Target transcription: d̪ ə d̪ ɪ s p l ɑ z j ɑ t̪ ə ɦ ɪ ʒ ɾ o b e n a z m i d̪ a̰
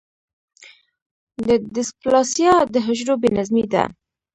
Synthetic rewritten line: d̪ ə d̪ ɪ s p l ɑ s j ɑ d̪ ə ɦ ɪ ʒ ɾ o b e n a z m i d̪ a̰

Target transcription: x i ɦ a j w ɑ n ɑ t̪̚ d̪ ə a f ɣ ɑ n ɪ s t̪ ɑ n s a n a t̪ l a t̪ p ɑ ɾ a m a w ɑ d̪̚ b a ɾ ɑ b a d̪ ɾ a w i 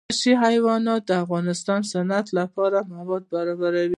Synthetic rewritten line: ʃ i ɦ a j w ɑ n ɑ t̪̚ d̪ ə a f ɣ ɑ n ɪ s t̪ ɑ n s a n a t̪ l a p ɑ ɾ a m a w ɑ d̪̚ b a ɾ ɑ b a ɾ a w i

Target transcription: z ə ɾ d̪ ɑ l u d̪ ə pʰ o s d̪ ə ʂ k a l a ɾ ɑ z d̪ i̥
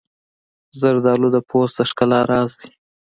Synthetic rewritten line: z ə ɾ d̪ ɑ l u d̪ ə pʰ o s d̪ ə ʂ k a l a ɾ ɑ z d̪ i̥

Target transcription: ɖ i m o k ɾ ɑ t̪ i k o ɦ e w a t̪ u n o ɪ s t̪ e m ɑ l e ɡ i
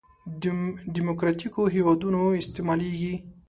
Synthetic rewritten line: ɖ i m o k ɾ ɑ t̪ i k o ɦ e w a d̪ u n o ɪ s t̪ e m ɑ l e ɡ i

